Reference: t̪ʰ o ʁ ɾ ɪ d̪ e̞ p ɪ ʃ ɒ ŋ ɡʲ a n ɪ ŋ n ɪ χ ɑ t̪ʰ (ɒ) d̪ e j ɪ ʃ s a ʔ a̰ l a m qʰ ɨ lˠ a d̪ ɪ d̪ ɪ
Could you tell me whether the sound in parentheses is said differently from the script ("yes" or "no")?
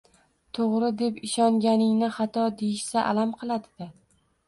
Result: no